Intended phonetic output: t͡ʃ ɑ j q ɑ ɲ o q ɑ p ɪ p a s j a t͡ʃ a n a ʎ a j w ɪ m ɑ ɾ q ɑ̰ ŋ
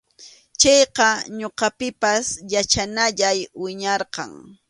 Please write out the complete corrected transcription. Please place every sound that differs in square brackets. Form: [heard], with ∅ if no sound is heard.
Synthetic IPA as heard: t͡ʃ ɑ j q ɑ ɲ o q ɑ p ɪ p a s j a t͡ʃ a n a ʎ a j w ɪ [ɲ] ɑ ɾ q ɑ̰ ŋ